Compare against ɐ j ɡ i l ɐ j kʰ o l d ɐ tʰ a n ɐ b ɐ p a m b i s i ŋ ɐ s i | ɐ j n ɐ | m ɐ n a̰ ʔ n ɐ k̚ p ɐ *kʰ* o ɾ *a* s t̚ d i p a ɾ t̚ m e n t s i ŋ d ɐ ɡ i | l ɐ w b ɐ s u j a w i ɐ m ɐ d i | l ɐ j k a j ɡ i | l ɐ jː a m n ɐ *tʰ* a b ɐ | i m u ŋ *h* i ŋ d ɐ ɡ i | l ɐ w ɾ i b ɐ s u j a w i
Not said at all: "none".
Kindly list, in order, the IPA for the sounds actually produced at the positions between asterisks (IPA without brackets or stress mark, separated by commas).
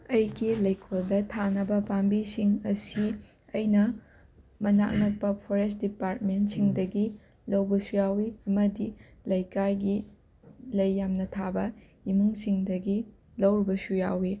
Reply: pʰ, e, tʰ, s